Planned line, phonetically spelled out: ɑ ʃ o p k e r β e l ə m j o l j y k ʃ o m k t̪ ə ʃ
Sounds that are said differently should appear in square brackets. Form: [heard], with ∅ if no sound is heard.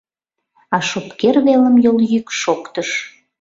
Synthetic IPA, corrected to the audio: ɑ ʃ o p k e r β e l ə m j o l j y k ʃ o [∅] k t̪ ə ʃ